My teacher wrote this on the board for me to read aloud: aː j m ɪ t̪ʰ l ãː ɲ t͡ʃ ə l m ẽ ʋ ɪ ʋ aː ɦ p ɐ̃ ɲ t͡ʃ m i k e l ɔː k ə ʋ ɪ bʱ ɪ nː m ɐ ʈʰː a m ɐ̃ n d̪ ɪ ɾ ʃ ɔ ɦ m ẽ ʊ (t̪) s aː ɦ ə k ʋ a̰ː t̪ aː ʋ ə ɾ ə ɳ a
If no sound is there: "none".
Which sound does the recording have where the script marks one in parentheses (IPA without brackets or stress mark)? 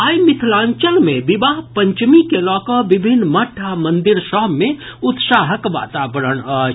t̪